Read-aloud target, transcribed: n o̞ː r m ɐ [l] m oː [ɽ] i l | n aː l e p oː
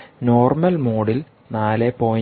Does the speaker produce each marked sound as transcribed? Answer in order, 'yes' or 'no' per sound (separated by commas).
yes, yes